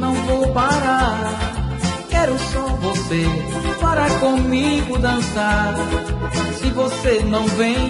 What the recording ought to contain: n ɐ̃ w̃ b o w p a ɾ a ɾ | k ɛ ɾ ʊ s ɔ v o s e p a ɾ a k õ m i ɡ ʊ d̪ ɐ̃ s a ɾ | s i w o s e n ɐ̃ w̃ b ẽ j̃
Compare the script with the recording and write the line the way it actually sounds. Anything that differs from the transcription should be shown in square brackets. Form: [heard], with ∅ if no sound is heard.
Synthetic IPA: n ɐ̃ w̃ [v] o w p a ɾ a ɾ | k ɛ ɾ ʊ s ɔ v o s e p a ɾ a k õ m i ɡ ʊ d̪ ɐ̃ s a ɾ | s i [v] o s e n ɐ̃ w̃ [v] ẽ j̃